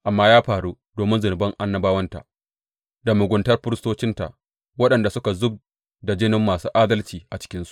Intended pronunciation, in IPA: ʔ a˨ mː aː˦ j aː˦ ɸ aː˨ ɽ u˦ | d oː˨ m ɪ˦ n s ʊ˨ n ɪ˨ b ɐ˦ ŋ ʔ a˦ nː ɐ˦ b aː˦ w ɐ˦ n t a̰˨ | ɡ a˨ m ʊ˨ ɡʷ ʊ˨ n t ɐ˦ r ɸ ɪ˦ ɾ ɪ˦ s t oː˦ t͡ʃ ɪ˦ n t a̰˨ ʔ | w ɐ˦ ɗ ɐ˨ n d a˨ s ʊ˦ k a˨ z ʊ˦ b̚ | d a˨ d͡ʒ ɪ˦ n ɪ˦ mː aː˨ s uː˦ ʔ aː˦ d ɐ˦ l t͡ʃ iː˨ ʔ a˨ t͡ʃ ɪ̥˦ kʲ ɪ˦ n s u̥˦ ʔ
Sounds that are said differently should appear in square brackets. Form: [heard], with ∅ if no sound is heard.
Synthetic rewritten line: ʔ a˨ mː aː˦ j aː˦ ɸ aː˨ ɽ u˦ | d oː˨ m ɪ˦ n [z] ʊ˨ n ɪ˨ b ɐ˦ ŋ ʔ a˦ nː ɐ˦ b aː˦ w ɐ˦ n t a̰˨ | [d] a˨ m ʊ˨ ɡʷ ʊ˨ n t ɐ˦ r ɸ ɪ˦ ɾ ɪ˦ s t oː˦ t͡ʃ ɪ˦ n t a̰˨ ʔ | w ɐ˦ ɗ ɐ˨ n d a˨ s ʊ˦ k a˨ z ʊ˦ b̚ | d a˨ d͡ʒ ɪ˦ n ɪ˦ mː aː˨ s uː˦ ʔ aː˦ d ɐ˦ l t͡ʃ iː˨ ʔ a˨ t͡ʃ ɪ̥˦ kʲ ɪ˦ n s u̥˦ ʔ